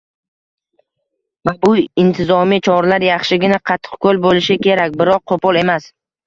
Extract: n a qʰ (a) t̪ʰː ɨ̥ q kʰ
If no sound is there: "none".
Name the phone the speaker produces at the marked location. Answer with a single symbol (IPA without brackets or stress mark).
ɑ